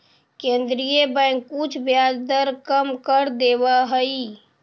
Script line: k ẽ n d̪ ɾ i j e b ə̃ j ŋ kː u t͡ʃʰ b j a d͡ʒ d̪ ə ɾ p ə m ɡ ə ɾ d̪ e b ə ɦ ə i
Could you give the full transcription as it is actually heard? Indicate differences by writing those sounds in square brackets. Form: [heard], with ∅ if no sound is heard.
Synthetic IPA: k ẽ n d̪ ɾ i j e b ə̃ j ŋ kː u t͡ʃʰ b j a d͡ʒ d̪ ə ɾ [k] ə m [k] ə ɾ d̪ e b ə ɦ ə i